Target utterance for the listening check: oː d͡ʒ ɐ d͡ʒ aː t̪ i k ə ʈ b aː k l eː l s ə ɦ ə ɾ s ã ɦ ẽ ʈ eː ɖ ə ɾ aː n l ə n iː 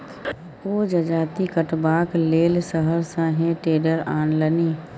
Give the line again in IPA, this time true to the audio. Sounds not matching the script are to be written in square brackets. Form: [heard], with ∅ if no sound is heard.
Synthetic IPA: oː d͡ʒ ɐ d͡ʒ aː t̪ i k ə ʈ b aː k l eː l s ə ɦ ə ɾ s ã ɦ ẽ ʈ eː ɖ ə ɾ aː n l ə n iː